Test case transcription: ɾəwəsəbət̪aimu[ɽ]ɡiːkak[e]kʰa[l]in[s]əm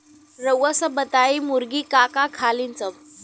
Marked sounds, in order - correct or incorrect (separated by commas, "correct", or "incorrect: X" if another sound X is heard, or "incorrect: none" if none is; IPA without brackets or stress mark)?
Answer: incorrect: ɾ, incorrect: a, correct, incorrect: t͡s